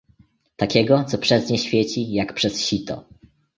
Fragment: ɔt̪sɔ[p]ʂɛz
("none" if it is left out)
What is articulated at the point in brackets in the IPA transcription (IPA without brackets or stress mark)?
p